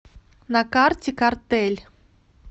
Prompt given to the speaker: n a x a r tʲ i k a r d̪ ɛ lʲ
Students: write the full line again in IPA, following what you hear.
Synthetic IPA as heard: n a k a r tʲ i k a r t̪ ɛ lʲ